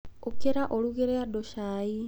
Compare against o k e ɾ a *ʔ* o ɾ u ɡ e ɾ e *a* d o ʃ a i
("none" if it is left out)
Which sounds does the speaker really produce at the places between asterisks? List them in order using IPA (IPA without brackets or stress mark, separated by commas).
ʔ, a